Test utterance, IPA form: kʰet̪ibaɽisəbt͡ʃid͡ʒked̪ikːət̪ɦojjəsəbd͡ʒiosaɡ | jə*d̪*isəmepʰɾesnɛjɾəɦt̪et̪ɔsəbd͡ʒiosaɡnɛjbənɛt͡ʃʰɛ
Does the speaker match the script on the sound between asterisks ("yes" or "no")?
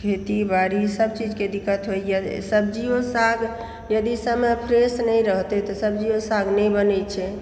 yes